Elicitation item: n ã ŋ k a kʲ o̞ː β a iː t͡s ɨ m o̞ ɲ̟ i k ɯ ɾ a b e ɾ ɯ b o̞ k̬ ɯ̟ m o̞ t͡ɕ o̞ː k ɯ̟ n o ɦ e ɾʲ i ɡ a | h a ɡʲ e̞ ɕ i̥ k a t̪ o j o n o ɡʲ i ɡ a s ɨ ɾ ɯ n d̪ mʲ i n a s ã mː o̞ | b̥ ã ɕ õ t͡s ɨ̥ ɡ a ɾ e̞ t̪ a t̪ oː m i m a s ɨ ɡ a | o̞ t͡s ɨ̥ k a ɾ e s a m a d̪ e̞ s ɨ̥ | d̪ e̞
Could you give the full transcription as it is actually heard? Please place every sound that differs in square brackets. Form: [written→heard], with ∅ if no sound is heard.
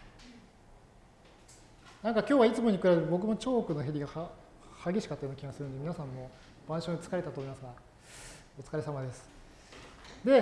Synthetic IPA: n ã ŋ k a kʲ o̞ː β a [iː→i] t͡s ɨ m o̞ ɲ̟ i k ɯ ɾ a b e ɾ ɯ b o̞ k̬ ɯ̟ m o̞ t͡ɕ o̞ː k ɯ̟ n o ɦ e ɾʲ i ɡ a | h a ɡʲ e̞ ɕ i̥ k a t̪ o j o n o [ɡʲ→kʲ] i ɡ a s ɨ ɾ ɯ n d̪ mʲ i n a s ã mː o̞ | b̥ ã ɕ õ t͡s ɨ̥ [ɡ→k] a ɾ e̞ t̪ a t̪ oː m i m a s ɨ ɡ a | o̞ t͡s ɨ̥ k a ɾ e s a m a d̪ e̞ s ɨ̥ | d̪ e̞